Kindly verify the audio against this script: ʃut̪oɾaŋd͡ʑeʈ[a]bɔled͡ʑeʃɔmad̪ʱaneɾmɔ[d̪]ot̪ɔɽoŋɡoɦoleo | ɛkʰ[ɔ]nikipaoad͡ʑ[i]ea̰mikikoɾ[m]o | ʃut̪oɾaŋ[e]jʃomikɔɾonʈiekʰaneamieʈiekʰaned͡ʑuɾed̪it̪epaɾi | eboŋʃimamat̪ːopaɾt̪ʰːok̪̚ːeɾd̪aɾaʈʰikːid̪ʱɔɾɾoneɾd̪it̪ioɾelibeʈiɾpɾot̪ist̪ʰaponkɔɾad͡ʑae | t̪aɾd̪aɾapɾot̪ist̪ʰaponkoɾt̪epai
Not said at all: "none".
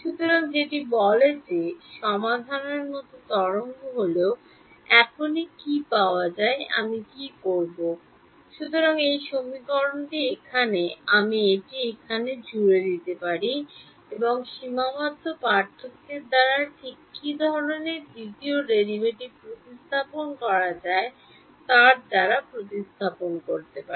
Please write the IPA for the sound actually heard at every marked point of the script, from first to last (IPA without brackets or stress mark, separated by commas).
i, t̪, o, a, b, e